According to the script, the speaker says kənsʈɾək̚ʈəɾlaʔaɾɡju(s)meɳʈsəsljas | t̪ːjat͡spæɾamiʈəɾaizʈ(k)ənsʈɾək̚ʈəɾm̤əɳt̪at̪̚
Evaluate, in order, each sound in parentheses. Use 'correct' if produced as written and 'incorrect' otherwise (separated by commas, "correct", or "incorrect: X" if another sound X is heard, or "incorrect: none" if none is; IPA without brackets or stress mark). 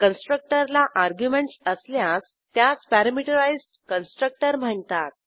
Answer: incorrect: none, correct